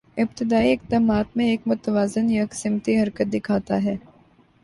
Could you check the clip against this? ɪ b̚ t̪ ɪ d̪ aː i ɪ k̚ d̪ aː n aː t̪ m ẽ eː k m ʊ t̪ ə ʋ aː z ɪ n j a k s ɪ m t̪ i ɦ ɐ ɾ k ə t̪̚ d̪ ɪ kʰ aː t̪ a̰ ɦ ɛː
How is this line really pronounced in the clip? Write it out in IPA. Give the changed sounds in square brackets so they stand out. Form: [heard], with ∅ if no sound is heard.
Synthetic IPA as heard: ɪ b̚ t̪ ɪ d̪ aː i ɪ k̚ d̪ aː [m] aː t̪ m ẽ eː k m ʊ t̪ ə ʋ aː z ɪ n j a k s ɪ m t̪ i ɦ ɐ ɾ k ə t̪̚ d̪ ɪ kʰ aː t̪ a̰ ɦ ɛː